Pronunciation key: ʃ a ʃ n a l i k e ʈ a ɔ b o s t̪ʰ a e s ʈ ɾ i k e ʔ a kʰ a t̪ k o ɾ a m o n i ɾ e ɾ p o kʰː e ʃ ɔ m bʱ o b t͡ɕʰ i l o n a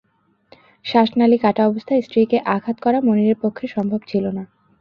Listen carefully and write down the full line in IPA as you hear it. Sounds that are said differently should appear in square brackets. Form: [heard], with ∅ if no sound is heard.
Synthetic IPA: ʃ a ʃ n a l i k [a] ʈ a ɔ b o s t̪ʰ a e s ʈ ɾ i k e ʔ a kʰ a t̪ k [ɔ] ɾ a m o n i ɾ e ɾ p o kʰː e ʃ ɔ m bʱ o b t͡ɕʰ i l o n a